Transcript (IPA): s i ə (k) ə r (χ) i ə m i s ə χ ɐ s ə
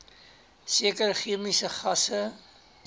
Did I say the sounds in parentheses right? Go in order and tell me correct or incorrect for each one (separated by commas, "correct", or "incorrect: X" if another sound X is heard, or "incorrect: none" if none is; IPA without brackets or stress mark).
correct, correct